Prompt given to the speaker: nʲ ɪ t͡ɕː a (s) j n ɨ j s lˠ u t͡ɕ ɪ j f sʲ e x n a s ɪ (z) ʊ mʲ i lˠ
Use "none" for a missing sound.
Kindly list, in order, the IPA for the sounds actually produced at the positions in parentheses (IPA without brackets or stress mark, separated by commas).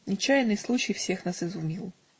none, z